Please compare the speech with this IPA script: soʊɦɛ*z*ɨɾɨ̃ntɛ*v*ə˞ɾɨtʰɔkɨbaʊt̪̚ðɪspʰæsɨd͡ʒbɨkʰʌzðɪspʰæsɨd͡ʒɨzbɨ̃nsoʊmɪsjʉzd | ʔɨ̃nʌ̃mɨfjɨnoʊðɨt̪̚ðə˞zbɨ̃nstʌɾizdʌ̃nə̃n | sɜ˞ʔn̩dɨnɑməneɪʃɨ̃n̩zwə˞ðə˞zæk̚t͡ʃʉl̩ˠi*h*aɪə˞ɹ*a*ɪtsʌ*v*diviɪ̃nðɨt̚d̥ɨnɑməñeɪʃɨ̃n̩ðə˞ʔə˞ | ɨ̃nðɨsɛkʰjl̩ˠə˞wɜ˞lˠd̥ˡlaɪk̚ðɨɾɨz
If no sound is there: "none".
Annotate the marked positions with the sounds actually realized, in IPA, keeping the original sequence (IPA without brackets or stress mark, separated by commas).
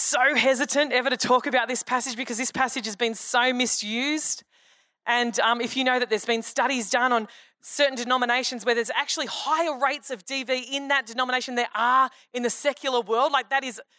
z, v, h, e, v